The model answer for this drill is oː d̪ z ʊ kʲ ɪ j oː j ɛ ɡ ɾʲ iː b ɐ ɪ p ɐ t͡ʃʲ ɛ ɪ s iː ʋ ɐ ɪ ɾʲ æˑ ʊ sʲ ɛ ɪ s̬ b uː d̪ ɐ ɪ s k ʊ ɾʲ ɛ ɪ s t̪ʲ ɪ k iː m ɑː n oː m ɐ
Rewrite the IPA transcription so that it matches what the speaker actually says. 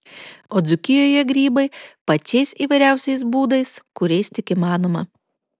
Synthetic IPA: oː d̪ z ʊ kʲ ɪ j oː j ɛ ɡ ɾʲ iː b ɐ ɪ p ɐ t͡ʃʲ ɛ ɪ s iː ʋ ɐ ɪ ɾʲ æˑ ʊ sʲ ɛ ɪ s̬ b uː d̪ ɐ ɪ s k ʊ ɾʲ ɛ ɪ s t̪ʲ ɪ k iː m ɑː n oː m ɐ